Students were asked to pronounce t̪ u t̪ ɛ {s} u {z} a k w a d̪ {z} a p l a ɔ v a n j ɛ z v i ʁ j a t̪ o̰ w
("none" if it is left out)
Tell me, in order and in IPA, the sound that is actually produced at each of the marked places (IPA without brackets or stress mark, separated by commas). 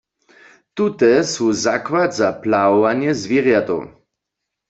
s, z, z